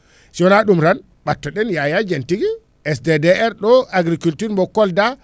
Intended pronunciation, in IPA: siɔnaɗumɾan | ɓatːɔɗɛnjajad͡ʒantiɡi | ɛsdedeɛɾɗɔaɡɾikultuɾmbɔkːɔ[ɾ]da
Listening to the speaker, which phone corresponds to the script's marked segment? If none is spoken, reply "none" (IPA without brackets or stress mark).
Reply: l